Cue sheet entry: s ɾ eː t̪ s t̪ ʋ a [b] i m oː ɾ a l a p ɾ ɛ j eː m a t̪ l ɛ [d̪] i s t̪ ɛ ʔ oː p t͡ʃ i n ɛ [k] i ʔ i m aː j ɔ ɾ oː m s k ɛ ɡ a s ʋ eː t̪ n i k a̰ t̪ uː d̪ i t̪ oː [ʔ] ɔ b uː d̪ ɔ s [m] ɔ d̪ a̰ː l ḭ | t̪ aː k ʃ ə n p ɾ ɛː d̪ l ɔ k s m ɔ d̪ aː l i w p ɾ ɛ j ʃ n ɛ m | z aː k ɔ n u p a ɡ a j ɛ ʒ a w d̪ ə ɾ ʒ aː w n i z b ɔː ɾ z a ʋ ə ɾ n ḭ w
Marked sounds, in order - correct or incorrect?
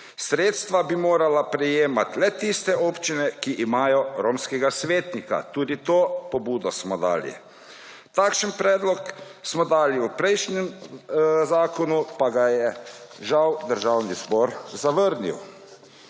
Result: correct, incorrect: t̪, correct, incorrect: p, correct

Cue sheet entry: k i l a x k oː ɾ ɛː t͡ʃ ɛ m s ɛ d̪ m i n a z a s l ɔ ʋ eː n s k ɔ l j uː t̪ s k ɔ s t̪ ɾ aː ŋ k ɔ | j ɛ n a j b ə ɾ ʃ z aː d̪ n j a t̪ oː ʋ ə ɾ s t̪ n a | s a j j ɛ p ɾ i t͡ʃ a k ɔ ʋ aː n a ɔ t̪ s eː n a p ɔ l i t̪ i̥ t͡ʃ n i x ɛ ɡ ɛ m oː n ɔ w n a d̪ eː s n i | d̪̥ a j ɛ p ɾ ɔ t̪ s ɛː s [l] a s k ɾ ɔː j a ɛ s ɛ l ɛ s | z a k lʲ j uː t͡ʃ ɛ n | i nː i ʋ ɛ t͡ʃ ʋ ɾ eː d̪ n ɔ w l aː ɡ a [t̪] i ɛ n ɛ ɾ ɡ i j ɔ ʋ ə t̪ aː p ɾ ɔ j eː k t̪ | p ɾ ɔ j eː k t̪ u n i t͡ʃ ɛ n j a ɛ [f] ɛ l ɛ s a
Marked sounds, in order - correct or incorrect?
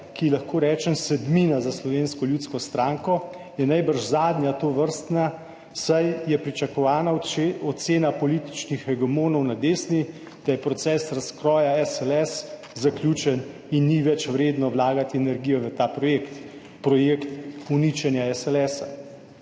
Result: incorrect: ɾ, correct, incorrect: s

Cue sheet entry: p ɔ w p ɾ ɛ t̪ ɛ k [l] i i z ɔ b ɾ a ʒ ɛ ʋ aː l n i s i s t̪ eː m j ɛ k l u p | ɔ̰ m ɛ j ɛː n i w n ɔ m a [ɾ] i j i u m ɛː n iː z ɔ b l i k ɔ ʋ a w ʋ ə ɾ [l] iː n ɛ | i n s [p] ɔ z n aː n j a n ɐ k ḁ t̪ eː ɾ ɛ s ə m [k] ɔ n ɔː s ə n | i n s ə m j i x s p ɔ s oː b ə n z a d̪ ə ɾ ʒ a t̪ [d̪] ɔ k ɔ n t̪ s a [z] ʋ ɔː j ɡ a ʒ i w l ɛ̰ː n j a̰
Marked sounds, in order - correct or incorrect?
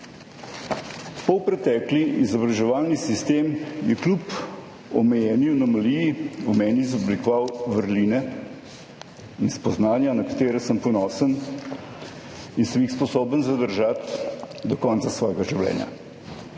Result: correct, incorrect: l, correct, correct, incorrect: p, correct, incorrect: s

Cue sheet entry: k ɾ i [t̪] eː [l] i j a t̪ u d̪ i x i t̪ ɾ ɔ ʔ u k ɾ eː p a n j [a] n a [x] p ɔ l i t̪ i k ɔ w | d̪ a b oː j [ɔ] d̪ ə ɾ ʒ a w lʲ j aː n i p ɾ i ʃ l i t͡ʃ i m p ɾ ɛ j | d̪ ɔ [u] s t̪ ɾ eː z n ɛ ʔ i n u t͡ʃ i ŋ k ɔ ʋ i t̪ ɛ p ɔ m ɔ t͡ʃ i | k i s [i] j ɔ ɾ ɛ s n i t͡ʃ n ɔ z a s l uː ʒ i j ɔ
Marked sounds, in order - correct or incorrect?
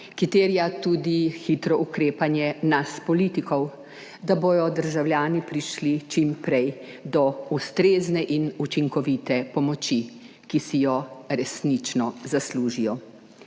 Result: correct, incorrect: ɾ, incorrect: ɛ, incorrect: s, correct, correct, correct

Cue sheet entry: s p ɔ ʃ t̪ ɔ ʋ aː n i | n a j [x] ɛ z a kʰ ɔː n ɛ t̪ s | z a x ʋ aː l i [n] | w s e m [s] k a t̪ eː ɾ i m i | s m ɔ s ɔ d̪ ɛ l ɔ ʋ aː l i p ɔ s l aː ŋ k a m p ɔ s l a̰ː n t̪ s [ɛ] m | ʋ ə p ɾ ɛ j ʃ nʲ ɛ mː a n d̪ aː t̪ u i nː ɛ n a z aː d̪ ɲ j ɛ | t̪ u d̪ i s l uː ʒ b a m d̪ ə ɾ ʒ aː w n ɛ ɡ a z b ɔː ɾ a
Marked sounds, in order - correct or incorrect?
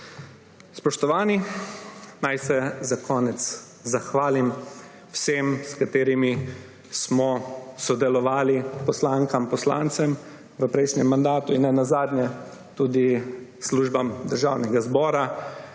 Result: incorrect: s, incorrect: m, correct, correct

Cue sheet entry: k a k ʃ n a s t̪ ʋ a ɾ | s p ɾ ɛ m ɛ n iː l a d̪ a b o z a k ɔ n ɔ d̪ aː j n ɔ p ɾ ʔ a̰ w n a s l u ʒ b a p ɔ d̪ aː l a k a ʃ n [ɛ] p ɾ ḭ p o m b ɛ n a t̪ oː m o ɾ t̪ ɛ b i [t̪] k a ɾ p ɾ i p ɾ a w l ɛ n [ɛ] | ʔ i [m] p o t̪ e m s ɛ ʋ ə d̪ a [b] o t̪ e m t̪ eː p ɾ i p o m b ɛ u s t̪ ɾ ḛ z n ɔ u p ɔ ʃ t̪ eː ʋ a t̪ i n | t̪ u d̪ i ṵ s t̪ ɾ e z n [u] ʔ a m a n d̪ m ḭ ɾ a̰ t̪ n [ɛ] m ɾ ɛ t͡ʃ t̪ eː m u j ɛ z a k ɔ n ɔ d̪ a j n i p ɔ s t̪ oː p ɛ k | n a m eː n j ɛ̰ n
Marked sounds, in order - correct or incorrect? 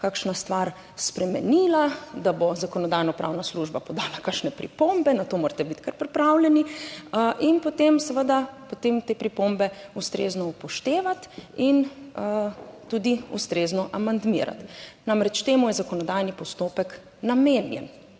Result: correct, correct, incorrect: i, incorrect: n, incorrect: p, incorrect: ɔ, incorrect: a

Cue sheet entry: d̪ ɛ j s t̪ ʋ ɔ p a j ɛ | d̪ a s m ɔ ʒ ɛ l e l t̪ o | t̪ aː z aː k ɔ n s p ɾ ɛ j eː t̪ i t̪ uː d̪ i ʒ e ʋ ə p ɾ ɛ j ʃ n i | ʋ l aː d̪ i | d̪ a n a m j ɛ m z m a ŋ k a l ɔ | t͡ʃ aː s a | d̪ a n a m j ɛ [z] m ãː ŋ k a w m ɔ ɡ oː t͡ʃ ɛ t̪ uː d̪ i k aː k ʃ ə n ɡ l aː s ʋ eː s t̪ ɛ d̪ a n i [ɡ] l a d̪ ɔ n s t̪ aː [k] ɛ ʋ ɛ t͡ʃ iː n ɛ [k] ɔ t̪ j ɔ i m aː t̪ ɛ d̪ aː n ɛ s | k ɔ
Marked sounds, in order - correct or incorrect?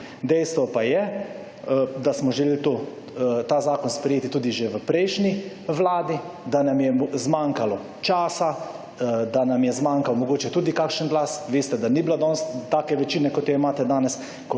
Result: correct, incorrect: b, correct, correct

